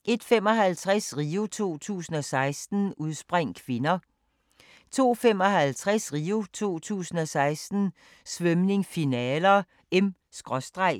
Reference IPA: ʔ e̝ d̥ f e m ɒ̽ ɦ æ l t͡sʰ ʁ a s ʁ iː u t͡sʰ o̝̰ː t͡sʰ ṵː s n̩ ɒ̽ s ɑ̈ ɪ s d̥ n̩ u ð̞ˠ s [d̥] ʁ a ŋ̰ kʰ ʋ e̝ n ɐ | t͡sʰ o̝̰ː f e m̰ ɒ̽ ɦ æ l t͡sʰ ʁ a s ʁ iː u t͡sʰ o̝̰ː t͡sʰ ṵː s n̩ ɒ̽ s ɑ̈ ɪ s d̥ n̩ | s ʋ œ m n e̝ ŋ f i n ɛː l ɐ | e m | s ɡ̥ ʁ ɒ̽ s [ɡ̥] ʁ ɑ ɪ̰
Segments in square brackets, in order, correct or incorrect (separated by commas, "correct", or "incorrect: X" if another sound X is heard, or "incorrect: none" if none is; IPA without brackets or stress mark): incorrect: b̥, incorrect: d̥